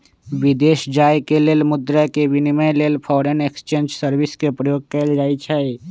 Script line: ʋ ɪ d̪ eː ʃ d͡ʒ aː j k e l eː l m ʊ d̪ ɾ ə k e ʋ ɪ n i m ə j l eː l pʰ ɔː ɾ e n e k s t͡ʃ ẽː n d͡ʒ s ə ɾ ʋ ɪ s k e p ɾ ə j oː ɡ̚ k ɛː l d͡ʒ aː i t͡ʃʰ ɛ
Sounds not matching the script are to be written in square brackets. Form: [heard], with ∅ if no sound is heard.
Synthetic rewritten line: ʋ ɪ d̪ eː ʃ d͡ʒ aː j k e l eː l m ʊ d̪ ɾ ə k e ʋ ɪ n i m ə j l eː l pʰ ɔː ɾ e n e k s t͡ʃ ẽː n d͡ʒ s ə ɾ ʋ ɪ s k e p ɾ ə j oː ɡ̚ k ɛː l d͡ʒ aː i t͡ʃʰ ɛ